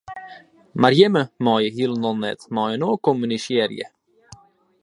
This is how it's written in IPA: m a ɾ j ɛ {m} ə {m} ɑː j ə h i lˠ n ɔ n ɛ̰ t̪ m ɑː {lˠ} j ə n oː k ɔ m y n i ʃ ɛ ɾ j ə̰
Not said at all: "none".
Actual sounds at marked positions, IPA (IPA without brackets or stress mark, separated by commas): m, m, none